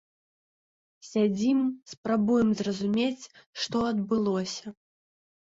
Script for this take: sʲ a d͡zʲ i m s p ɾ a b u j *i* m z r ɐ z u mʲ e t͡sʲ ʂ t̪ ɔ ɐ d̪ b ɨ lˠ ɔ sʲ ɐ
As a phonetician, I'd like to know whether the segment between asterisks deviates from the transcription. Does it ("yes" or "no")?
yes